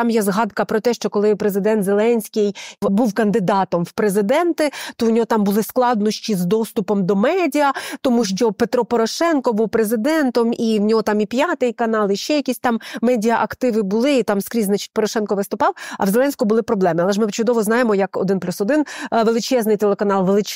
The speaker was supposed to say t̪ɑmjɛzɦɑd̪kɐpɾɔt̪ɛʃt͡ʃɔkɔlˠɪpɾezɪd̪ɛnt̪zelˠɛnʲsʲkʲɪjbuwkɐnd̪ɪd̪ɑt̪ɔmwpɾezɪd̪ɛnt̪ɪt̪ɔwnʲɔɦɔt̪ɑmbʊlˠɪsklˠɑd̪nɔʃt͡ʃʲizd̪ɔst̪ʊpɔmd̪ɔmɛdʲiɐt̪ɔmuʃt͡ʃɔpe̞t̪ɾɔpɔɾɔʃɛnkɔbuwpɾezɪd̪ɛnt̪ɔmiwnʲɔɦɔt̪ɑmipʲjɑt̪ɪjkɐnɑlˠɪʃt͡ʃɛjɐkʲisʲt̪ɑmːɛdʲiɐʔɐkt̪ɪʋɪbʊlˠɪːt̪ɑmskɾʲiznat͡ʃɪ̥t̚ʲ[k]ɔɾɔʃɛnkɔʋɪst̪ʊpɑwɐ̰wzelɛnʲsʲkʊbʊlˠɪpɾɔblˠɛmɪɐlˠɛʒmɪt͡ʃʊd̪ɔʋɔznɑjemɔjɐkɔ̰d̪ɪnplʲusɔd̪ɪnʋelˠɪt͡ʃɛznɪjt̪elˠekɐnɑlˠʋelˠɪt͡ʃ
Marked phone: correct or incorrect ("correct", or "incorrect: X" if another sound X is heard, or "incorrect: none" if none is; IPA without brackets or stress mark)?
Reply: incorrect: p